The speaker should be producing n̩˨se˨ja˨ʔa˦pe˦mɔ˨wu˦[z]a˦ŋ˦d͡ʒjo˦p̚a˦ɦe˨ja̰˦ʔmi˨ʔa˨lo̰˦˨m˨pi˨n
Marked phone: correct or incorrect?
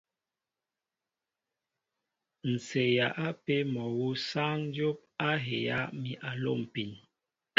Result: incorrect